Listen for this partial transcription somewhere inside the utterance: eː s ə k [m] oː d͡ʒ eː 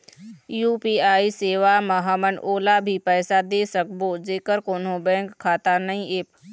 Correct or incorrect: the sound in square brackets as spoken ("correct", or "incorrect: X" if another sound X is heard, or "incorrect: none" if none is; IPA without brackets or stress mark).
incorrect: b